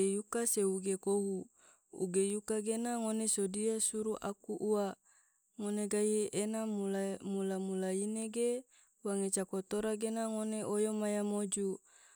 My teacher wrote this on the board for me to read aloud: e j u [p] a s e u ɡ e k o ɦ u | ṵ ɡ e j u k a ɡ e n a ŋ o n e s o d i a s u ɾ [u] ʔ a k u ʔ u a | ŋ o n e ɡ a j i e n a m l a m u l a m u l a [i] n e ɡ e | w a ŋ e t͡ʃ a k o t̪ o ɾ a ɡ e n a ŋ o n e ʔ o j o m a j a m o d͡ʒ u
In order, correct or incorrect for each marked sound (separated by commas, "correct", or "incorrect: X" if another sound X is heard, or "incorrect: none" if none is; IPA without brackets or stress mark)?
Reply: incorrect: k, correct, correct